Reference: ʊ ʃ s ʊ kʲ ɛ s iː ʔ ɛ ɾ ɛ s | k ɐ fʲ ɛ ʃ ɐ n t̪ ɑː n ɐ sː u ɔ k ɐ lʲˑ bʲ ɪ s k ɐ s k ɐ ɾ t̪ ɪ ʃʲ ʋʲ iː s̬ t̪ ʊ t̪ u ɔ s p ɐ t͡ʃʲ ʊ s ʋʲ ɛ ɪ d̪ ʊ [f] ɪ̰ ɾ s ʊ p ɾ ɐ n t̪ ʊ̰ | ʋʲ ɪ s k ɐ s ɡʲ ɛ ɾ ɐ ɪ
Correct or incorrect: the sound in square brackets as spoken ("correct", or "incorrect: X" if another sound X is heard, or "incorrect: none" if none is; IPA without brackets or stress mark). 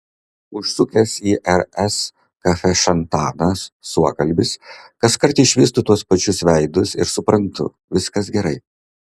incorrect: s